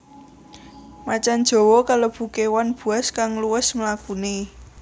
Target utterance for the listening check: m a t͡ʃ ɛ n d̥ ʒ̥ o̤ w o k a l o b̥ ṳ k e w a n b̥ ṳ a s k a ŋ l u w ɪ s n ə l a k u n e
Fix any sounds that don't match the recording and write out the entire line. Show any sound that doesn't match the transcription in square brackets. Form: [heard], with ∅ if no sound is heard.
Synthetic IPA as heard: m a t͡ʃ [a] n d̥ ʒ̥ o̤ w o k a l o b̥ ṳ k e w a n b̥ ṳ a s k a ŋ l u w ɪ s [m] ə l a k u n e